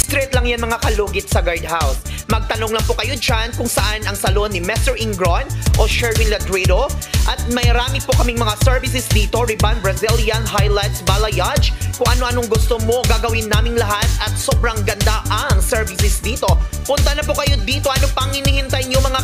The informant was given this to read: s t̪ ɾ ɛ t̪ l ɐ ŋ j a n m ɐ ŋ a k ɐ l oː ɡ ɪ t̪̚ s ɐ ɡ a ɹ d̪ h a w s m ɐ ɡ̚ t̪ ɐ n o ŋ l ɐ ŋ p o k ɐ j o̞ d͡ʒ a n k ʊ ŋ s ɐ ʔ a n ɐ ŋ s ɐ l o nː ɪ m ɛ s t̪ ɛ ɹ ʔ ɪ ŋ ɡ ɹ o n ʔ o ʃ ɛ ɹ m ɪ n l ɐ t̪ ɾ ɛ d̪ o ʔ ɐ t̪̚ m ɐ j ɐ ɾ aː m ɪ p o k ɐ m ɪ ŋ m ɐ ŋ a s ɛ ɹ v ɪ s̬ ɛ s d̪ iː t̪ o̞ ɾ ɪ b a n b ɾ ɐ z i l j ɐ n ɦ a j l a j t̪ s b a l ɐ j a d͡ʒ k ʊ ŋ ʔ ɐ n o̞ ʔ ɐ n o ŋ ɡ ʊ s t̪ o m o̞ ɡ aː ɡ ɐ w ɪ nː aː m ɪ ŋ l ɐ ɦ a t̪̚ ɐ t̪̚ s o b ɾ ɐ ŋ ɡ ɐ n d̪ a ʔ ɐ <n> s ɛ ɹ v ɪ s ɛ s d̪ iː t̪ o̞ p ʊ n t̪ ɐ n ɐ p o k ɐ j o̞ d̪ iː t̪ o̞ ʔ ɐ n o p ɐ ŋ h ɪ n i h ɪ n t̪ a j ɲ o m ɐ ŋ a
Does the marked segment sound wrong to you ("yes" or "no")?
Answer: yes